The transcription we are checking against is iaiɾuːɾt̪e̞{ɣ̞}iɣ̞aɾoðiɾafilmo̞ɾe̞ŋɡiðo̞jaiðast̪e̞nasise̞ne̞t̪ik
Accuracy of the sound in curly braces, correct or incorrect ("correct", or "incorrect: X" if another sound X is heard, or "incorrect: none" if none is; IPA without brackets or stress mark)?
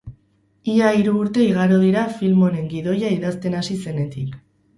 incorrect: none